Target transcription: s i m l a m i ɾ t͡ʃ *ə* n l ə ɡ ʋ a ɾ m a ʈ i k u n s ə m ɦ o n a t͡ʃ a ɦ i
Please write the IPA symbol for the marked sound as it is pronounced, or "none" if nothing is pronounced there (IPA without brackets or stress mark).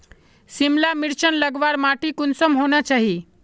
ə